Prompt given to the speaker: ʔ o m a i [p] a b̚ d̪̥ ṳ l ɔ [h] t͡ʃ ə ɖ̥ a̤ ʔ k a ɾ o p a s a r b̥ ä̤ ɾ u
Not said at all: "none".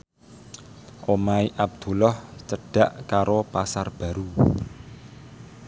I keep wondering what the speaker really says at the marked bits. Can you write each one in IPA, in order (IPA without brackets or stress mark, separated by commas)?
ʔ, h